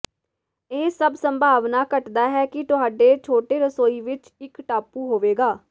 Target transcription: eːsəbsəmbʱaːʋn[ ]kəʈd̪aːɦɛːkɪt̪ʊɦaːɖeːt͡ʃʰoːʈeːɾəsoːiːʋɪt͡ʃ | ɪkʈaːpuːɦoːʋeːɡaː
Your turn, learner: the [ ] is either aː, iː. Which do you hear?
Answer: aː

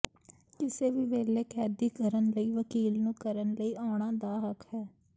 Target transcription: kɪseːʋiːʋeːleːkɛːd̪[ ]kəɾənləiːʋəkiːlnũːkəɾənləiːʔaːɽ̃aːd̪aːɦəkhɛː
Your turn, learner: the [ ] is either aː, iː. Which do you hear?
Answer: iː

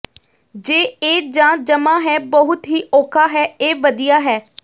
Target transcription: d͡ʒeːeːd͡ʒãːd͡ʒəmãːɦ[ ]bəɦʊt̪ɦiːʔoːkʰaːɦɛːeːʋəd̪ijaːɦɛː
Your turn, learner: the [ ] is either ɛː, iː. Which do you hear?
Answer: ɛː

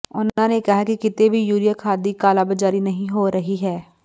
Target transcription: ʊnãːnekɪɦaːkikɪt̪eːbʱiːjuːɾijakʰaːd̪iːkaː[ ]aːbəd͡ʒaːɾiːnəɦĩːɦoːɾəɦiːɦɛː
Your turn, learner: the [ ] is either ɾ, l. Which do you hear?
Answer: l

